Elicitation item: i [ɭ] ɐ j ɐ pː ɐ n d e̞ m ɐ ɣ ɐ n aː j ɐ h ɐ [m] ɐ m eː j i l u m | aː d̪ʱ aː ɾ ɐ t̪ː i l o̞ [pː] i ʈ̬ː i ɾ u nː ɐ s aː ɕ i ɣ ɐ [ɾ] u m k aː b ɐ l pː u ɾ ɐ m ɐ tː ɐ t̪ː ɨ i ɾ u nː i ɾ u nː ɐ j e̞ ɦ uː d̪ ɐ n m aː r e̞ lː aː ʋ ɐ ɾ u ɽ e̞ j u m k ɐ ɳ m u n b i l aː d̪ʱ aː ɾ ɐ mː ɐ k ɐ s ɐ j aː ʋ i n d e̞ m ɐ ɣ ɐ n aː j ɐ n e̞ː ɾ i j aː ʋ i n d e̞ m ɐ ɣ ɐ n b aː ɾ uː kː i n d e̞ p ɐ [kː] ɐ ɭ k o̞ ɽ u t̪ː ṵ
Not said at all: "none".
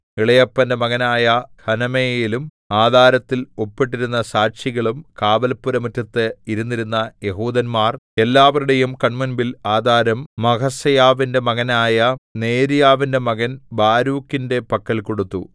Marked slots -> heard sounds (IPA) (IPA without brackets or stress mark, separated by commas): ɭ, n, pː, ɭ, kː